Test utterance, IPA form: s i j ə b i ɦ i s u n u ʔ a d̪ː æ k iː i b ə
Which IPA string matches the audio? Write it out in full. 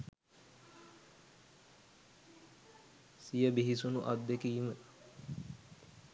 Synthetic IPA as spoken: s i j ə b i ɦ i s u n u ʔ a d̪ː e k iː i m ə